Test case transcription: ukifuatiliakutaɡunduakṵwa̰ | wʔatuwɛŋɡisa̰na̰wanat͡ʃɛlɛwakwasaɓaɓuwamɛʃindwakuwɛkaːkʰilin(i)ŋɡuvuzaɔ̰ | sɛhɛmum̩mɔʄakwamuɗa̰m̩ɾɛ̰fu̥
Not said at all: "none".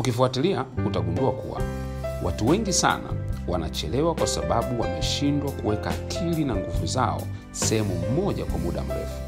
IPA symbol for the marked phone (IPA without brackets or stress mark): a